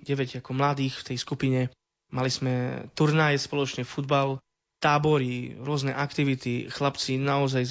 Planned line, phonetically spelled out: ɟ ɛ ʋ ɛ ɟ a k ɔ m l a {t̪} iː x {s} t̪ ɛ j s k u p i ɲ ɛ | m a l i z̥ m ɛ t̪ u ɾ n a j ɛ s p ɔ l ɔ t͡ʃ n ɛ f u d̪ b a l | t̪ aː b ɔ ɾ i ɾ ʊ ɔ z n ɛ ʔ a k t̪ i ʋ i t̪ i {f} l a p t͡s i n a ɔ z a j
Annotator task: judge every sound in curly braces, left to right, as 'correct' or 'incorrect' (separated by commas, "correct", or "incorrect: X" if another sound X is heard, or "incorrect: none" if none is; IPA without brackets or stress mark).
incorrect: d̪, incorrect: f, incorrect: x